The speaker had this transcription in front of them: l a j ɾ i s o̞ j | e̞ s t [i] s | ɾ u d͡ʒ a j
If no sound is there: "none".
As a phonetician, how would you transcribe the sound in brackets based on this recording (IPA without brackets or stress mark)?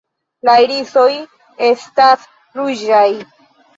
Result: a